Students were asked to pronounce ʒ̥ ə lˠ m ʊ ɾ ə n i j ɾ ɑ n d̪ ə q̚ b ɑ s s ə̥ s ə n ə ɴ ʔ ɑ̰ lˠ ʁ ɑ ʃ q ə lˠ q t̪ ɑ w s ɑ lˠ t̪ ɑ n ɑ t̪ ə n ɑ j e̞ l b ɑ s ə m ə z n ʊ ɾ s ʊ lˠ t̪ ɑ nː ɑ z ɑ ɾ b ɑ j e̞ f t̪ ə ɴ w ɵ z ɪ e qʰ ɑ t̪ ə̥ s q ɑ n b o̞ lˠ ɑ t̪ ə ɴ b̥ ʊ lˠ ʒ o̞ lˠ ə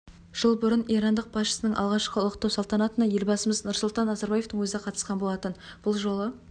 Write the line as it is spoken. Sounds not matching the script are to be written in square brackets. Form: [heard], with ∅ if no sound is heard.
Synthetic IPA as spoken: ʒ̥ ə lˠ [b] ʊ ɾ ə n i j ɾ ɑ n d̪ ə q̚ b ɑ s [ʃ] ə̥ s ə n ə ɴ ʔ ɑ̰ lˠ ʁ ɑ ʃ q ə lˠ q t̪ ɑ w s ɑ lˠ t̪ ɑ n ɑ t̪ ə n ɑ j e̞ l b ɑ s ə m ə z n ʊ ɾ s ʊ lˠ t̪ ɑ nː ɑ z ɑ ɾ b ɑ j e̞ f t̪ ə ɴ w ɵ z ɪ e qʰ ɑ t̪ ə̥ s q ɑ n b o̞ lˠ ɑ t̪ ə [n] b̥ ʊ lˠ ʒ o̞ lˠ ə